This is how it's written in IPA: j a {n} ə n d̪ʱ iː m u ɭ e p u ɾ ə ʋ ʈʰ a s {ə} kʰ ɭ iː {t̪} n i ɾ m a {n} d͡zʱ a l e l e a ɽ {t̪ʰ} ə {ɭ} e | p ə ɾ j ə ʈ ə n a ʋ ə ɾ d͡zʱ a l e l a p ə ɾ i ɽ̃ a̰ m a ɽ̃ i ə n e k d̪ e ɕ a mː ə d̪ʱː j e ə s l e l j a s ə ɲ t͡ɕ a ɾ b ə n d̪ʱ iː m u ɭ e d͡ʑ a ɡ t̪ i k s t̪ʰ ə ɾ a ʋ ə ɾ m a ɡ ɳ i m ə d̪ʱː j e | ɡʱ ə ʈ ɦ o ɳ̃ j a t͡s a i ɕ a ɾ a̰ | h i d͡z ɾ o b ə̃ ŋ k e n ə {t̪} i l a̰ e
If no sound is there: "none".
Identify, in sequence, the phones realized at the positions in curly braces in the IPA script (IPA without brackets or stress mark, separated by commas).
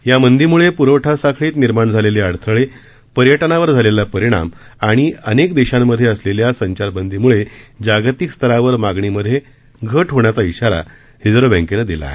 m, a, t̪, ɳ, t̪ʰ, ɭ, d̪